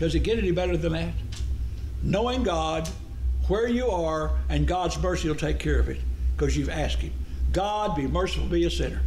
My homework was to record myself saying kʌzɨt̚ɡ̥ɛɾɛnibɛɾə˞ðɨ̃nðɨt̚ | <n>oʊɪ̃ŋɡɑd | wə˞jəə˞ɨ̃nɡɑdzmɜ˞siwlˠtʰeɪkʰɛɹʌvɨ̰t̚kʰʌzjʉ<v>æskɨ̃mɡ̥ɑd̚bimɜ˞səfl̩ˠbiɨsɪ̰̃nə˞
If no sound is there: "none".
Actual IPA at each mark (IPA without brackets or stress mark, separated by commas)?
n, v